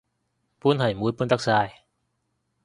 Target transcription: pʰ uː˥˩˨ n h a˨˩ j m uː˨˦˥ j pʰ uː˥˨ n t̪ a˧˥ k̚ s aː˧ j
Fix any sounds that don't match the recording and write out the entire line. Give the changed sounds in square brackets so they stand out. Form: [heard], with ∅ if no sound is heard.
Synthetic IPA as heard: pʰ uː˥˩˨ n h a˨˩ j m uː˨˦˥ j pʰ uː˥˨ n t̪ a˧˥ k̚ s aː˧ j